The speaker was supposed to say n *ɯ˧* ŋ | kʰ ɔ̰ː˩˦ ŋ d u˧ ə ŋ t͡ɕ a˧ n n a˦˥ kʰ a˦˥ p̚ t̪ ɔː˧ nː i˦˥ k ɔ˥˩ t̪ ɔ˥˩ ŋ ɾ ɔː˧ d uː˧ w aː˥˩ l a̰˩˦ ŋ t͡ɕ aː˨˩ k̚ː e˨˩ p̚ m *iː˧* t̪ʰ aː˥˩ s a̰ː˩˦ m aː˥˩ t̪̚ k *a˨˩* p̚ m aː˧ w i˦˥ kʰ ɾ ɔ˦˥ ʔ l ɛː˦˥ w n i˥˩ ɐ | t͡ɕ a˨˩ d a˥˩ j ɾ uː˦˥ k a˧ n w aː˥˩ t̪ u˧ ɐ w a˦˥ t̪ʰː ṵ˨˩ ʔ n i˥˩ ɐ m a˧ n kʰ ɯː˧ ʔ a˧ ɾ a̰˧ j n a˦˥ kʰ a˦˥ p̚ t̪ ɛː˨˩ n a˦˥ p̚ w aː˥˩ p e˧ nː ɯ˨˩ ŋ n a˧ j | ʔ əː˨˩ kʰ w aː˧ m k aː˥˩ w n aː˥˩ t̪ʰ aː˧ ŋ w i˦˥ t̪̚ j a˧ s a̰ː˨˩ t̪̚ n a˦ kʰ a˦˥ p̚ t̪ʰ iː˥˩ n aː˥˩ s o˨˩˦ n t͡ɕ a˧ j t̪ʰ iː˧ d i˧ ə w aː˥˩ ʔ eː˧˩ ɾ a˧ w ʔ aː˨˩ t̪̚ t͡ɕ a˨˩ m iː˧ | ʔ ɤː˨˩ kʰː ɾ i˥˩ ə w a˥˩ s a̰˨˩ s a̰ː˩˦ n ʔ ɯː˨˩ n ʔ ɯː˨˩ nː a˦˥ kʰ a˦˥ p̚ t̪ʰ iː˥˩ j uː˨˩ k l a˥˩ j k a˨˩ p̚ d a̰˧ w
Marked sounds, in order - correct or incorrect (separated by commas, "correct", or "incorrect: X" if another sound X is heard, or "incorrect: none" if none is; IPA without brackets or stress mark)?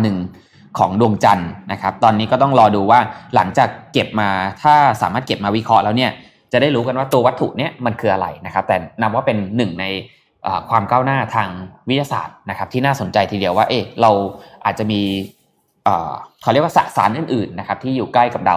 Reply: incorrect: ɯ˨˩, incorrect: aː˧, incorrect: e˨˩